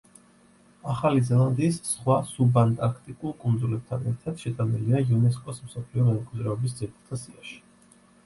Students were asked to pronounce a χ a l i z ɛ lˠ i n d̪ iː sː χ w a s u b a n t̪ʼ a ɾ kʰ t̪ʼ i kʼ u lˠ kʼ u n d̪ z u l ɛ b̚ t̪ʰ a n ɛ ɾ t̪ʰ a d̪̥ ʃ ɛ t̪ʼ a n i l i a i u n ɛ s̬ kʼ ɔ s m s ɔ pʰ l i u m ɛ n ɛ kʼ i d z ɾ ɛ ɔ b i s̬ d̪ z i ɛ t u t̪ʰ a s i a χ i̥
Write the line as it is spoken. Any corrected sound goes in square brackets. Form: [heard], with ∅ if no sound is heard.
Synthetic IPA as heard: a χ a l i z ɛ lˠ [a] n d̪ iː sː χ w a s u b a n t̪ʼ a ɾ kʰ t̪ʼ i kʼ u lˠ kʼ u n d̪ z u l ɛ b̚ t̪ʰ a n ɛ ɾ t̪ʰ a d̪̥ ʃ ɛ t̪ʼ a n i l i a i u n ɛ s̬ kʼ ɔ s m s ɔ pʰ l i [ɔ] m ɛ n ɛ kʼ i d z ɾ ɛ ɔ b i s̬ d̪ z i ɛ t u t̪ʰ a s i a [ʃ] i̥